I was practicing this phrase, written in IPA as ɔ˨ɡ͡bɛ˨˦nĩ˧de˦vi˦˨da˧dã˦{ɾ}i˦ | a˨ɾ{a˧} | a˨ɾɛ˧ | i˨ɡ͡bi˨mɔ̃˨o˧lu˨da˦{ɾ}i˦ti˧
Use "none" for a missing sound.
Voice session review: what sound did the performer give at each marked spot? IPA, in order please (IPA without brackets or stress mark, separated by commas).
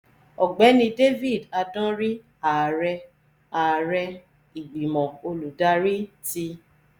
ɾ, ɛ˧, ɾ